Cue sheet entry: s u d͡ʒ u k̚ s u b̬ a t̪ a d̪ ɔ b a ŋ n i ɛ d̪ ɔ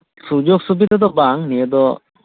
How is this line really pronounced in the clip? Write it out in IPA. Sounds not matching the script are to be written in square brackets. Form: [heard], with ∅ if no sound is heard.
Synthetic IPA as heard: s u d͡ʒ [ɔ] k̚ s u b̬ [i] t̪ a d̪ ɔ b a ŋ n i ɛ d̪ ɔ